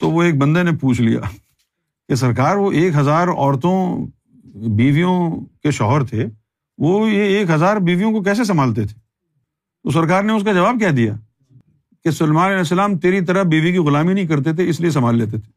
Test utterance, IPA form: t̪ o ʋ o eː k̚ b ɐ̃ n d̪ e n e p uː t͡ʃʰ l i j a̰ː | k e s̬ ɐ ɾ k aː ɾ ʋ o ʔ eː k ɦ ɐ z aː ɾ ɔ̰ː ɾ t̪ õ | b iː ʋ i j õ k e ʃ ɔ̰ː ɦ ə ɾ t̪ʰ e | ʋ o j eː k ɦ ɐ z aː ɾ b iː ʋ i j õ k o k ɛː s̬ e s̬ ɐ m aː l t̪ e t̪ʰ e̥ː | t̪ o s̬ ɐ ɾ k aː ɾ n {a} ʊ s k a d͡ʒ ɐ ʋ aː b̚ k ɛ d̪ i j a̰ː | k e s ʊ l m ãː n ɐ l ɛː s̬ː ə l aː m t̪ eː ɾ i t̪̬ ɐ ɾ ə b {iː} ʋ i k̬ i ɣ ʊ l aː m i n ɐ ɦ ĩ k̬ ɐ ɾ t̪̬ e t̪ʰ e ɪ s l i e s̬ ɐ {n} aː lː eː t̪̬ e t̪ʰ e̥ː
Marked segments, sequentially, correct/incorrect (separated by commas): incorrect, correct, incorrect